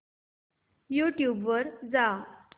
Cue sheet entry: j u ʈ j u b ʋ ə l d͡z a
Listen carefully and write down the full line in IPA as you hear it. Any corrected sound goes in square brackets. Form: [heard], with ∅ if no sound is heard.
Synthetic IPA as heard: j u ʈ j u b ʋ ə [ɾ] d͡z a